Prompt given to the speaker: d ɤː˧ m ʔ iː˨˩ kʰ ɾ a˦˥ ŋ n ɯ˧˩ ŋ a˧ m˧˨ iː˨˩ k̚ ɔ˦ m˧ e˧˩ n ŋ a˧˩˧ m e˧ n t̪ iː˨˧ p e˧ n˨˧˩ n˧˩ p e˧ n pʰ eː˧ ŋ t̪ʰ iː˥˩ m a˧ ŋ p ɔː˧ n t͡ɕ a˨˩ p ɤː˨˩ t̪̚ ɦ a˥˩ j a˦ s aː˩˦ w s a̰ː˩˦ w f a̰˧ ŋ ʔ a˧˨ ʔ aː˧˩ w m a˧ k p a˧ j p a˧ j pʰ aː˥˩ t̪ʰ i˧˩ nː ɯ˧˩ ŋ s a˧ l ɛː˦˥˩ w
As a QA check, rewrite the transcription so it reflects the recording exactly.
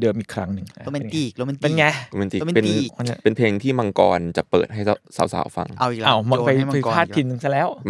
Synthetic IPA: d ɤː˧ m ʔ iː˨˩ kʰ ɾ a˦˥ ŋ n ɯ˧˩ ŋ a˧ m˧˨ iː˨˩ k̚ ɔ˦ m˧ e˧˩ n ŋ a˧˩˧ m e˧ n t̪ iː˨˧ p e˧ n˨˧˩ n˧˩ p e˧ n pʰ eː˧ ŋ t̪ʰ iː˥˩ m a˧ ŋ k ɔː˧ n t͡ɕ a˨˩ p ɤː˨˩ t̪̚ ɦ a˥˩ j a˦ s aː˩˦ w s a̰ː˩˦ w f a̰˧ ŋ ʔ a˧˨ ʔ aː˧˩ w m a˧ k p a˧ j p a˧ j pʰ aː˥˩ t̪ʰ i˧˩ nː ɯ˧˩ ŋ s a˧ l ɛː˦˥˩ w